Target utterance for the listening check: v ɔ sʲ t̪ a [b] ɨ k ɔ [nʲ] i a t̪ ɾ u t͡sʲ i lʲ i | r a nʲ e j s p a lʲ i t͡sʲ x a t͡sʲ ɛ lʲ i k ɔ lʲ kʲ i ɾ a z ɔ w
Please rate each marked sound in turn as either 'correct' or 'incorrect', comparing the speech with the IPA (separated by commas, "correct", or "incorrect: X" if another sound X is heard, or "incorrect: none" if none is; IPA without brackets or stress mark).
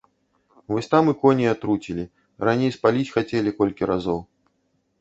incorrect: m, correct